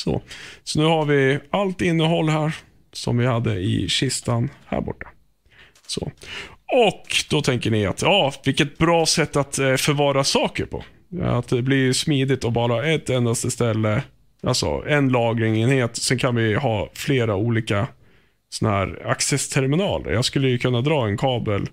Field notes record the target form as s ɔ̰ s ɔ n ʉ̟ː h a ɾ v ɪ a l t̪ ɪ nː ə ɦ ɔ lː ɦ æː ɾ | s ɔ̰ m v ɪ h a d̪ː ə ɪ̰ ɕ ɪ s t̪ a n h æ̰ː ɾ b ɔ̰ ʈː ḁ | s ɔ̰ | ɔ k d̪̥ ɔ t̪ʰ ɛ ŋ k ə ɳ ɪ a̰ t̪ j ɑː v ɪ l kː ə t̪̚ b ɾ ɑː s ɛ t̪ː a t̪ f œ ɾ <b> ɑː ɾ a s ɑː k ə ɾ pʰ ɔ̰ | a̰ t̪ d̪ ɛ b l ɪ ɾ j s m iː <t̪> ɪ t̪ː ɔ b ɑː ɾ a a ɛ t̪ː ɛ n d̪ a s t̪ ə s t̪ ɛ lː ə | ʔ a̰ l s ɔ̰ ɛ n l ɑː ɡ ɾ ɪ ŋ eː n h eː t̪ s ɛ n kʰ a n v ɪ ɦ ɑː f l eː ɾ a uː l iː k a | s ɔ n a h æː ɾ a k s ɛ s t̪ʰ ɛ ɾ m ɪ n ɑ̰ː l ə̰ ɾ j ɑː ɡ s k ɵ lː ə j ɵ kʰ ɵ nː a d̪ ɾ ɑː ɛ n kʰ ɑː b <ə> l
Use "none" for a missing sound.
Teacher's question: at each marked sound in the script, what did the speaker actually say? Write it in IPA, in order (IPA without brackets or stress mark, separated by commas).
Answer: v, d̪, ə